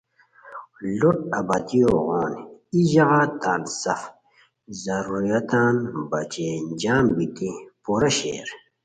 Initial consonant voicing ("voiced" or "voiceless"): voiced